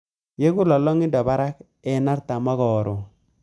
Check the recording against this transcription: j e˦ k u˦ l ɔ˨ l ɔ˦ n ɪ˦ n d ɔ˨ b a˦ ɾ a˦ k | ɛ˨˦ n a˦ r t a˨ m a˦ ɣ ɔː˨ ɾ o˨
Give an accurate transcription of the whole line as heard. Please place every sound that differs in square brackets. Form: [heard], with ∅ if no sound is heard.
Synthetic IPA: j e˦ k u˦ l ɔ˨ l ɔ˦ [ŋ] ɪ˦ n d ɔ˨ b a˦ ɾ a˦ k | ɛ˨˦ n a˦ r t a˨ m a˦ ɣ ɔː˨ ɾ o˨